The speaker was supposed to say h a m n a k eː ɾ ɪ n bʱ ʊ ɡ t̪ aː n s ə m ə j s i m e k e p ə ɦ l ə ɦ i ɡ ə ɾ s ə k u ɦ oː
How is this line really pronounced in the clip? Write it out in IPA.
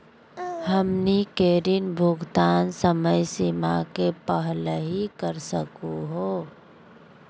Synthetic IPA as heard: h ə m n i k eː ɾ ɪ n bʱ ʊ ɡ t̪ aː n s ə m ə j s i m a k e p ə ɦ l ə ɦ i k ə ɾ s ə k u ɦ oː